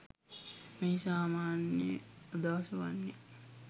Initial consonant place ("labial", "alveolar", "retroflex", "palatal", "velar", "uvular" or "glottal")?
labial